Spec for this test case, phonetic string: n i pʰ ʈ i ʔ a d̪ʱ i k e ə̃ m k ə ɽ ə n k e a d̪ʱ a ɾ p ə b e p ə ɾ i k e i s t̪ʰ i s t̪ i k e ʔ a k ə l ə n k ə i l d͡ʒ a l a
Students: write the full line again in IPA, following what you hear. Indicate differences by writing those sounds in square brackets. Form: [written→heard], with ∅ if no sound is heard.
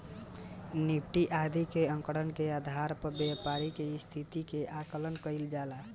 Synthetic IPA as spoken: n i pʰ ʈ i ʔ a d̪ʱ i k e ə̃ [m→ŋ] k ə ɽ ə n k e a d̪ʱ a ɾ p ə b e p [ə→a] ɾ i k e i s t̪ʰ i [s→∅] t̪ i k e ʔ a k ə l ə n k ə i l d͡ʒ a l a